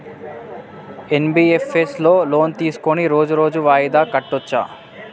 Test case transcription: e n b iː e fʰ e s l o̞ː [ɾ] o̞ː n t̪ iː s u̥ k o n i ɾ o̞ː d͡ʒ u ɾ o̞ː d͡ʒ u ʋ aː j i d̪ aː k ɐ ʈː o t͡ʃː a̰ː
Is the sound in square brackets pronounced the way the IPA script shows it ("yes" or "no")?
no